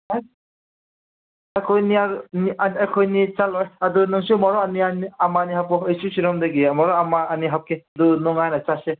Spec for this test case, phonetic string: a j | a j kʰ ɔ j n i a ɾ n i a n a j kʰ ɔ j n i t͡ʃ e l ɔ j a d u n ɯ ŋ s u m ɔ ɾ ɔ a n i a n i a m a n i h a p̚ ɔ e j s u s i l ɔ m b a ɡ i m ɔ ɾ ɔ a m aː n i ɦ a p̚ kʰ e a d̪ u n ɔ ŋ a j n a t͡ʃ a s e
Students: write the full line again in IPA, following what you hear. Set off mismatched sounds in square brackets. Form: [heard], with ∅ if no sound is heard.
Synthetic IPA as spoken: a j | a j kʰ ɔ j n i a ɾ n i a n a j kʰ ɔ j n i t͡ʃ [a] l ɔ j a d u n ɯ ŋ s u m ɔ ɾ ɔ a n i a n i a m a n i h a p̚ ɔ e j s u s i [ɾ] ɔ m [d] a ɡ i m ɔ ɾ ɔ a m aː n i ɦ a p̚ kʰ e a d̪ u n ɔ ŋ a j n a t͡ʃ a s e

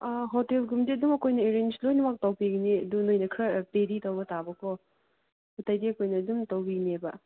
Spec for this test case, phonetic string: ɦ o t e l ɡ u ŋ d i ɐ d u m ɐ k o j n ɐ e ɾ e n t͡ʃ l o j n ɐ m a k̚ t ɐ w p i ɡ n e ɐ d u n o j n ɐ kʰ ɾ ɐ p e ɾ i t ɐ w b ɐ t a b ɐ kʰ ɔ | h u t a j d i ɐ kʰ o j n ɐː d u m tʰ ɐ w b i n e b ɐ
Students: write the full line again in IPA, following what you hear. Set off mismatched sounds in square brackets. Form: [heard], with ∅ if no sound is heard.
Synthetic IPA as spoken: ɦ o t e l ɡ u [m] d i ɐ d u m ɐ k o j n ɐ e ɾ e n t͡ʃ l o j n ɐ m a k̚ t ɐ w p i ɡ n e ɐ d u n o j n ɐ kʰ ɾ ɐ p e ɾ i t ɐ w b ɐ t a b ɐ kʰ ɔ | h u t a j d i ɐ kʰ o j n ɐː d u m [t] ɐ w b i n e b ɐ

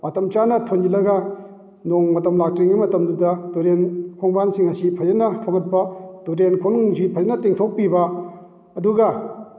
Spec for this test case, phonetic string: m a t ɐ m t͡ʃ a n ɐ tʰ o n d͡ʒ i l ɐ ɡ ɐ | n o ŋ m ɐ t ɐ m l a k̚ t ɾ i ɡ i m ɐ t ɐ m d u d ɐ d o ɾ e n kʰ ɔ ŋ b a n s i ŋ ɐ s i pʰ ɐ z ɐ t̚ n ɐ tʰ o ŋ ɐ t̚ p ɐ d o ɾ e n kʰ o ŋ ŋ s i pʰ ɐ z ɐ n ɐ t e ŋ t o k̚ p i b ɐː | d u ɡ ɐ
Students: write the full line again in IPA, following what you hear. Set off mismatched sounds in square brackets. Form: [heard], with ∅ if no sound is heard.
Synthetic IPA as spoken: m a t ɐ m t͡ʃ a n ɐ tʰ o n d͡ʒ i l ɐ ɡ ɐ | n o ŋ m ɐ t ɐ m l a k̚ t ɾ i [ŋ] i m ɐ t ɐ m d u d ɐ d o ɾ e n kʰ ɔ ŋ b a n s i ŋ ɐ s i pʰ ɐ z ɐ [∅] n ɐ tʰ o ŋ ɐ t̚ p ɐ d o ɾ e n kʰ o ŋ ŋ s i pʰ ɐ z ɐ n ɐ t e ŋ [tʰ] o k̚ p i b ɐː | d u ɡ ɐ

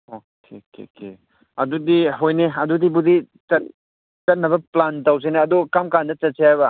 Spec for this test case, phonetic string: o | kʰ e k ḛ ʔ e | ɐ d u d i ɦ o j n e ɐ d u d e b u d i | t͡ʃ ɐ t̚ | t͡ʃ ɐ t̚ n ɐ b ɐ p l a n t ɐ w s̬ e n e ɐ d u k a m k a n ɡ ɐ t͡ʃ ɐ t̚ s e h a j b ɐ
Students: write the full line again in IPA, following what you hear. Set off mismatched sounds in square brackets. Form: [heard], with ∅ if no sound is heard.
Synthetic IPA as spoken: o | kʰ e k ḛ [k] e | ɐ d u d i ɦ o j n e ɐ d u d [i] b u d i | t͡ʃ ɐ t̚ | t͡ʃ ɐ t̚ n ɐ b ɐ p l a n t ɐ w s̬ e n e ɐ d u k a m k a n [d] ɐ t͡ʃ ɐ t̚ s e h a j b ɐ

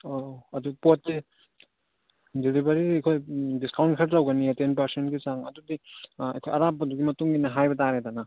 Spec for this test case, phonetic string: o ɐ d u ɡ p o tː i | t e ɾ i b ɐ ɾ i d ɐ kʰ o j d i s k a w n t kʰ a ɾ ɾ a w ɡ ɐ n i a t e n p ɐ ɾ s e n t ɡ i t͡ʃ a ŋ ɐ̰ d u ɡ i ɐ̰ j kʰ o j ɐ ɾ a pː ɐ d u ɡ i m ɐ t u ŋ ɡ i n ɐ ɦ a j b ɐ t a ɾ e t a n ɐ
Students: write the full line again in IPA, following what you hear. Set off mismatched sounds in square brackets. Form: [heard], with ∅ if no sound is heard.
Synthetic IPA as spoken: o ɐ d u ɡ p o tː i | [d] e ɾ i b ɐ ɾ i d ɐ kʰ o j d i s k a w n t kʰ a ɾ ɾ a w ɡ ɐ n i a t e n p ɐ ɾ s e n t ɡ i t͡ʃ a ŋ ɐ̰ d u [d] i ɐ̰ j kʰ o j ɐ ɾ a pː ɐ d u ɡ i m ɐ t u ŋ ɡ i n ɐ ɦ a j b ɐ t a ɾ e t a n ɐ

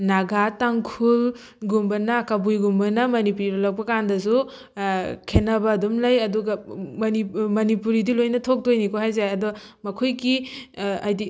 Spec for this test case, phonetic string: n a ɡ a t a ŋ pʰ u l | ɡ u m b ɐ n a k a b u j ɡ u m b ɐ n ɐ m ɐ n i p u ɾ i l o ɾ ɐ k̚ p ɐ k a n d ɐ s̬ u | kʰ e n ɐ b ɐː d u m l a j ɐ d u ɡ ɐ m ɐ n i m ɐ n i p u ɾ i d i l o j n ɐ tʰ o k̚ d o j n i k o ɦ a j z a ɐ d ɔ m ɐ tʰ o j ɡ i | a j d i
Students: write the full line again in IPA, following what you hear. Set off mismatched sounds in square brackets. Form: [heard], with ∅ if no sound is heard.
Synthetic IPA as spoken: n a ɡ a t a ŋ [kʰ] u l | ɡ u m b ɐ n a k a b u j ɡ u m b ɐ n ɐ m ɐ n i p u ɾ i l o [l] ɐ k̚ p ɐ k a n d ɐ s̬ u | kʰ e n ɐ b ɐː d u m l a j ɐ d u ɡ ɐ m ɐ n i m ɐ n i p u ɾ i d i l o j n ɐ tʰ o k̚ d o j n i k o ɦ a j z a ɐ d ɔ m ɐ [kʰ] o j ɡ i | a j d i

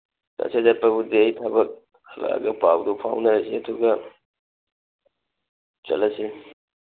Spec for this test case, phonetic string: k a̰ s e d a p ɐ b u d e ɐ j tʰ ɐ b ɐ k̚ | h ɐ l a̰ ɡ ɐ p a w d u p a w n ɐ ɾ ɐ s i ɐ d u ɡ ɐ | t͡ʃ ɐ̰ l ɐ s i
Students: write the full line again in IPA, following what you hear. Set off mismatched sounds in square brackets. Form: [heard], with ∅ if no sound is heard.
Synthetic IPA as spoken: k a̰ s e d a p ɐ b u d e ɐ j tʰ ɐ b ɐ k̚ | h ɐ l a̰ ɡ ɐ p a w d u [pʰ] a w n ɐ ɾ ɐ s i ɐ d u ɡ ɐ | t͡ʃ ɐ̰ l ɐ s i

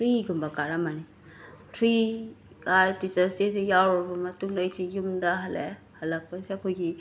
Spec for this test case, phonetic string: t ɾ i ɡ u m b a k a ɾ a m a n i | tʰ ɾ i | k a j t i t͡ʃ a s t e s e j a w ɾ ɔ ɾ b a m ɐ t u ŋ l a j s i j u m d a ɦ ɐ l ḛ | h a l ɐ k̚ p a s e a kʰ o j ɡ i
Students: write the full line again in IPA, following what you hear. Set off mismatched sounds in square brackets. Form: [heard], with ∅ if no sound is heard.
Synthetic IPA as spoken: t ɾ i ɡ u m b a k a ɾ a m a n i | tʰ ɾ i | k a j t i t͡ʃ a s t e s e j a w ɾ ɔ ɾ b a m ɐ t u ŋ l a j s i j u m d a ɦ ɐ l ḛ | h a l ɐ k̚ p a s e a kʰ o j ɡ i

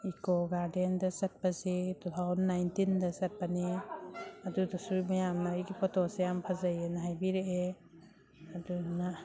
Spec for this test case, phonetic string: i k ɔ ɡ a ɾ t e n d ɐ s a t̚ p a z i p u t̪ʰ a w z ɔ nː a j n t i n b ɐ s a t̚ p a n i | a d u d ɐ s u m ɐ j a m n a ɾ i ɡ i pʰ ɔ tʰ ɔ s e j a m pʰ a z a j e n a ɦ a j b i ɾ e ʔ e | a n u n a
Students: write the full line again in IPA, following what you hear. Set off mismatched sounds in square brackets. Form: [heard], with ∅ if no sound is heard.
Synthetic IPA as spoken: i k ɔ ɡ a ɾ [d] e n d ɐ s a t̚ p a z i [t] u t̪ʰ a w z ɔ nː a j n t i n [d] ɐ s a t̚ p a n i | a d u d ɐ s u m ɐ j a m n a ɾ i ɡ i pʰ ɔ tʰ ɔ s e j a m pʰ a z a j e n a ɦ a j b i ɾ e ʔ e | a [d] u n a

